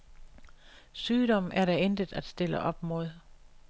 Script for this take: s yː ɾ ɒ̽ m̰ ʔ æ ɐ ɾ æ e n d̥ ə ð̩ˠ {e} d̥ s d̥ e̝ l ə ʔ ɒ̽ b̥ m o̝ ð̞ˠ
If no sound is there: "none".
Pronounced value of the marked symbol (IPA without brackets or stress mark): æ